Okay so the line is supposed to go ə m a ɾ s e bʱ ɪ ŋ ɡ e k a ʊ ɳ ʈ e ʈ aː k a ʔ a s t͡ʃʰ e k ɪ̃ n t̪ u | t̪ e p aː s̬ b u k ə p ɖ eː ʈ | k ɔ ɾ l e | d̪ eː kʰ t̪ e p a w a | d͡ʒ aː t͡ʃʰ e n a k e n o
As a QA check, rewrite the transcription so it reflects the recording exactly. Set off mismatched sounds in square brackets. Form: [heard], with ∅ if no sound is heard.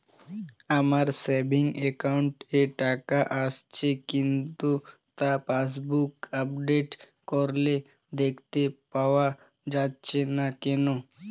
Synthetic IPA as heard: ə m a ɾ s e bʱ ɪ ŋ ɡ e k a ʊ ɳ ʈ e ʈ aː k a ʔ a s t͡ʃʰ e k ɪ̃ n t̪ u | t̪ [a] p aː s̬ b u k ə p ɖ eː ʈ | k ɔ ɾ l e | d̪ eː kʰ t̪ e p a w a | d͡ʒ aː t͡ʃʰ e n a k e n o